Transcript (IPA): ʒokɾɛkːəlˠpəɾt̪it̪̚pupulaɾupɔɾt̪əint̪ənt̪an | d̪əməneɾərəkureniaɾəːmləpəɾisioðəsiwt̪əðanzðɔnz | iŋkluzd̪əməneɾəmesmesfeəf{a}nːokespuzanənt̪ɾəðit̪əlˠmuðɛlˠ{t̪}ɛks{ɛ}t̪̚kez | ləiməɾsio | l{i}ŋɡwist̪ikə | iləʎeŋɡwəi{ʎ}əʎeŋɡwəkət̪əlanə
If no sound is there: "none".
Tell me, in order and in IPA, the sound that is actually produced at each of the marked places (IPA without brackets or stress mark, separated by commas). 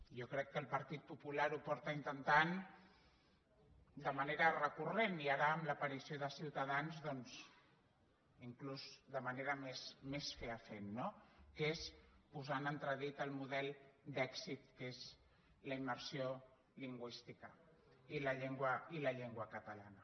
e, d̪, i, i, l